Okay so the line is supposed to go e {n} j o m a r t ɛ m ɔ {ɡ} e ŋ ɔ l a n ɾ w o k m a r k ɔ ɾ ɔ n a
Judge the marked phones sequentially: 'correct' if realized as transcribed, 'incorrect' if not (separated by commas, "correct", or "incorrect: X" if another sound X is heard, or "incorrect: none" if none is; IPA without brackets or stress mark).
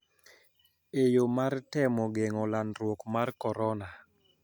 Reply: incorrect: none, correct